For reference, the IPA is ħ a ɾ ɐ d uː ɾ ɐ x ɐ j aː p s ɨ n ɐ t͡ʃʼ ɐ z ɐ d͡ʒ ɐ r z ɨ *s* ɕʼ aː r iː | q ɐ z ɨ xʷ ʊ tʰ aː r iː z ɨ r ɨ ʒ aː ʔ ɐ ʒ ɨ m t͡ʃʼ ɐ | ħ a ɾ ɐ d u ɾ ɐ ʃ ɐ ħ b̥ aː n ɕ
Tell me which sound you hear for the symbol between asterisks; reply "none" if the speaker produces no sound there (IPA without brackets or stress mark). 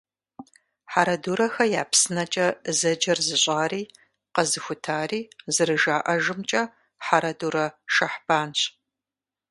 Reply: none